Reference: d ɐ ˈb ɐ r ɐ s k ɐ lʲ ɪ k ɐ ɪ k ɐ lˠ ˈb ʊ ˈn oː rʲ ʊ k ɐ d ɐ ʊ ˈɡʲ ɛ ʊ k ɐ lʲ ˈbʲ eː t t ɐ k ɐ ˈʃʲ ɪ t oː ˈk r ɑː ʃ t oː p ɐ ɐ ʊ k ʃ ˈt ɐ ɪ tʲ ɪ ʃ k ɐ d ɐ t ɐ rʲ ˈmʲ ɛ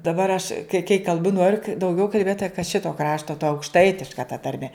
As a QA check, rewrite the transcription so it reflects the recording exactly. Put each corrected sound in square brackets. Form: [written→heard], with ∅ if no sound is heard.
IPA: d ɐ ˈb ɐ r ɐ [s→ʃ] k ɐ [lʲ→∅] ɪ k ɐ ɪ k ɐ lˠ ˈb ʊ ˈn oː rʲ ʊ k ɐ d ɐ ʊ ˈɡʲ ɛ ʊ k ɐ lʲ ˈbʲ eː t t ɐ k ɐ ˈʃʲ ɪ t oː ˈk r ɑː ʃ t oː [p→t] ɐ ɐ ʊ k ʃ ˈt ɐ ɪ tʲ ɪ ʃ k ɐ [d→t] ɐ t ɐ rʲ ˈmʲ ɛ